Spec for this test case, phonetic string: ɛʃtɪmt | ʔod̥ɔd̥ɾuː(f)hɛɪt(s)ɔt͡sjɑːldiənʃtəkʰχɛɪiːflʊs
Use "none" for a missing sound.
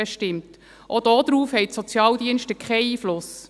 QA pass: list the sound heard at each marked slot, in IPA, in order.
f, s

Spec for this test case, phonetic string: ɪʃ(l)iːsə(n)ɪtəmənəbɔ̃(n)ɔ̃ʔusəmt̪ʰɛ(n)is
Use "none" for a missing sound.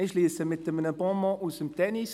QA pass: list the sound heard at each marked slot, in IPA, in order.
l, m, m, n

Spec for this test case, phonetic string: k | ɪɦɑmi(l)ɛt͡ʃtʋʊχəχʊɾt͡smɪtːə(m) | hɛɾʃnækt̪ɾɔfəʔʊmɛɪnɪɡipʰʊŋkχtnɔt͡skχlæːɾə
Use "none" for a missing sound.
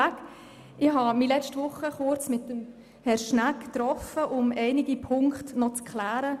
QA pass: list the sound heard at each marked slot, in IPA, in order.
l, m

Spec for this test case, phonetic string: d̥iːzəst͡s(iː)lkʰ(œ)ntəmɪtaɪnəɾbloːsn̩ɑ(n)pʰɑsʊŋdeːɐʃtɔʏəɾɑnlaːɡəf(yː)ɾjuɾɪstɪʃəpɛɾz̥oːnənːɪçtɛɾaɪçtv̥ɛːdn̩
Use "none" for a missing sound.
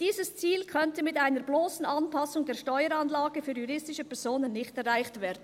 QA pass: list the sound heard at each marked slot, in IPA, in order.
iː, œ, n, yː

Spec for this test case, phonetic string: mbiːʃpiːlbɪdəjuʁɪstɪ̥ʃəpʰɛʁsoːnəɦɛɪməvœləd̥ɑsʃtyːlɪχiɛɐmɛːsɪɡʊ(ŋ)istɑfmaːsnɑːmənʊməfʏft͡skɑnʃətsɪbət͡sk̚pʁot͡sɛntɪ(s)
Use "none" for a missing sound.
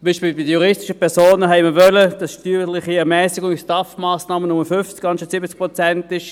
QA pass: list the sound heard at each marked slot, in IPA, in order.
ŋ, ʃ

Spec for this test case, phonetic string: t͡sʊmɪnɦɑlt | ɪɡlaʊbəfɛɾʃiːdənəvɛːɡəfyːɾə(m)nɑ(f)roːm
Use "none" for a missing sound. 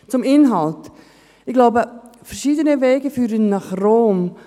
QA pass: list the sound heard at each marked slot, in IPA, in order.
n, χ

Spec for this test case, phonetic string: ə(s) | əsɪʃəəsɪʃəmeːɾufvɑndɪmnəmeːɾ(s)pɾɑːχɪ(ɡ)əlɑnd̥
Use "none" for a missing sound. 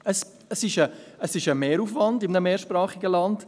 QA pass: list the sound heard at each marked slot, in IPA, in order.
s, ʃ, ɡ

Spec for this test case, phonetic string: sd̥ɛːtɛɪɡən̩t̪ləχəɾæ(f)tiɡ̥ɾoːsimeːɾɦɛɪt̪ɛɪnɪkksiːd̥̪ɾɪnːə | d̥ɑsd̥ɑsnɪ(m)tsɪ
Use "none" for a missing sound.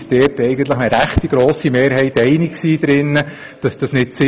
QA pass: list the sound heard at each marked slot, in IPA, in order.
χ, none

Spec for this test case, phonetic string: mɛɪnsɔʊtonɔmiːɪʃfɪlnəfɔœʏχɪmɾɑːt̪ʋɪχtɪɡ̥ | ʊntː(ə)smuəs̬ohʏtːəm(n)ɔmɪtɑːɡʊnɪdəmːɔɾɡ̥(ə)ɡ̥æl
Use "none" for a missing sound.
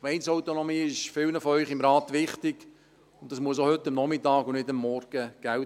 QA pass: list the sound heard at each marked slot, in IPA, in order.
ɑ, n, ə

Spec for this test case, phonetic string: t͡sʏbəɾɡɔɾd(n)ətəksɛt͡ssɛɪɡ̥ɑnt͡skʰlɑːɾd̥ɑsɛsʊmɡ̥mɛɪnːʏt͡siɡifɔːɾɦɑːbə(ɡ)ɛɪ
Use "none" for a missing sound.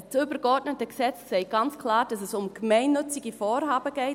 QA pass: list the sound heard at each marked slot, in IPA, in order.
n, ɡ

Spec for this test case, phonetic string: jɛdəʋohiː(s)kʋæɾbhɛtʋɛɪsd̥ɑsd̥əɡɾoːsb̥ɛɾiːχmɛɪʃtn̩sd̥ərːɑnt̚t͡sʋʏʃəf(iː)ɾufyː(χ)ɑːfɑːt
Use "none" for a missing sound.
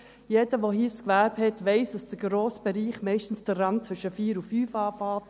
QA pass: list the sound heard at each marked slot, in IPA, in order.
s, iː, f

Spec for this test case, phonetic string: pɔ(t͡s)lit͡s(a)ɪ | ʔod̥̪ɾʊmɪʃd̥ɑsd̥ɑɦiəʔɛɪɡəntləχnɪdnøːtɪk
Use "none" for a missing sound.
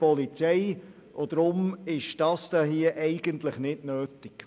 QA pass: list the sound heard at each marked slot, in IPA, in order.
none, ɛ

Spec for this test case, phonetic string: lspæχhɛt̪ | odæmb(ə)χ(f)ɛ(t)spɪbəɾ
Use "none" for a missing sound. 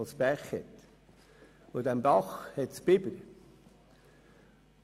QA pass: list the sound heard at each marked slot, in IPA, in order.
ɑ, h, t

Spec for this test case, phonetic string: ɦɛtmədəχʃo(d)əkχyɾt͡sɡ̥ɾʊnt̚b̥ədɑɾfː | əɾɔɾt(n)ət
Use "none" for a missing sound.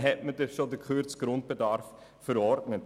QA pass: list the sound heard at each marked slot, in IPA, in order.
d, n

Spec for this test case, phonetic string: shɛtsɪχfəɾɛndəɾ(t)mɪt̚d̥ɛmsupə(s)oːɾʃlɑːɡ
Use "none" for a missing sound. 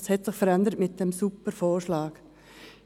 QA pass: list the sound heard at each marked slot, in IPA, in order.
t, f

